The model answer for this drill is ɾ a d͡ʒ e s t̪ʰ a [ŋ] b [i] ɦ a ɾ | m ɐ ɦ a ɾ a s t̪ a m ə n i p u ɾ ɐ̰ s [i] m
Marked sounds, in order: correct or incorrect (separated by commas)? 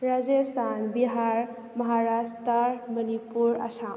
incorrect, correct, incorrect